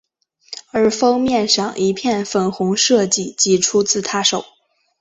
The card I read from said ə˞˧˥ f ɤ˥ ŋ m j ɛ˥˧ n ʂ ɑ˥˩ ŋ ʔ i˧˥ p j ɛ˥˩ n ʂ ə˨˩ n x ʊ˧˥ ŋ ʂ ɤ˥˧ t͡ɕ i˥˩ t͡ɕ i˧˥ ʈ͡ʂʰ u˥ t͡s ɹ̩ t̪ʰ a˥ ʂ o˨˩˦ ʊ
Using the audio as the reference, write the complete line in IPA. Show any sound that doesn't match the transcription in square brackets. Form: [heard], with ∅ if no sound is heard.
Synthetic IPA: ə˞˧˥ f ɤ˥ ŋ m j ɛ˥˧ n ʂ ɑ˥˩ ŋ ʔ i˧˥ [pʰ] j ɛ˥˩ n [f] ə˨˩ n x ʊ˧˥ ŋ ʂ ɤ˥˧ t͡ɕ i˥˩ t͡ɕ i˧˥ ʈ͡ʂʰ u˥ t͡s ɹ̩ t̪ʰ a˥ ʂ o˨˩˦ ʊ